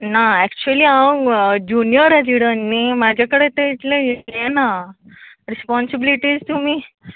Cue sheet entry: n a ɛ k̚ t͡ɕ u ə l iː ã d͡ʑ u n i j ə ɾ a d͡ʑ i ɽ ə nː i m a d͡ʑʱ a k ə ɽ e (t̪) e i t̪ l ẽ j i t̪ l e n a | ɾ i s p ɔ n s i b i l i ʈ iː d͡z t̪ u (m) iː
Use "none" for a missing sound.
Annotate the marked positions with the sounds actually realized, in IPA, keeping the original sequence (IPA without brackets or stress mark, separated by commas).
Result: t̪, m